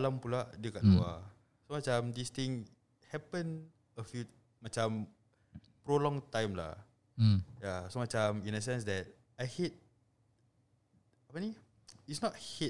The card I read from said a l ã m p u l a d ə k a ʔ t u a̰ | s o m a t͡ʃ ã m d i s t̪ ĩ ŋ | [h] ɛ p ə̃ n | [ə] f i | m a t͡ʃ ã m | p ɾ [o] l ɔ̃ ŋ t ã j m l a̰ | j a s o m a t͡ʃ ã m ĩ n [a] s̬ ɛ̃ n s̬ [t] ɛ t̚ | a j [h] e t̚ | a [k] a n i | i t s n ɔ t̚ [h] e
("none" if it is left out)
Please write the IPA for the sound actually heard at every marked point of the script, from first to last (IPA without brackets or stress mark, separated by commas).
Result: h, ə, o, ə, d, h, p, h